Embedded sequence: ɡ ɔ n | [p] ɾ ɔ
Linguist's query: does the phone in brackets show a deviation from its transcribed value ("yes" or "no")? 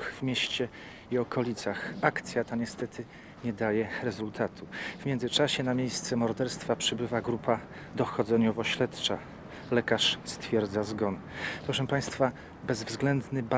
no